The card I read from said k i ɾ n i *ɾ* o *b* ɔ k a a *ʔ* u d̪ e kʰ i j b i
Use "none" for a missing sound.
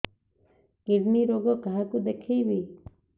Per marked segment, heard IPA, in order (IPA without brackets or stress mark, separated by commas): ɾ, ɡ, k